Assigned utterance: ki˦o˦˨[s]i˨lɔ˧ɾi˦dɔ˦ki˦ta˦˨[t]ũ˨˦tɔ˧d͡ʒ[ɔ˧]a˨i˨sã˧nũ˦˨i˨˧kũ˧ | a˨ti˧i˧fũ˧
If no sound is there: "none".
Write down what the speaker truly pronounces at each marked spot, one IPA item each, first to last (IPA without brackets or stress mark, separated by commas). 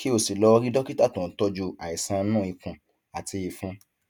s, t, u˧